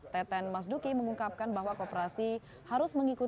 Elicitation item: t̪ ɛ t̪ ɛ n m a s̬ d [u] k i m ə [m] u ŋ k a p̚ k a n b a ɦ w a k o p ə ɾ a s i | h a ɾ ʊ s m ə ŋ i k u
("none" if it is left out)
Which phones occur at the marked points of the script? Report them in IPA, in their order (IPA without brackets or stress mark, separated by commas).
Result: u, ŋ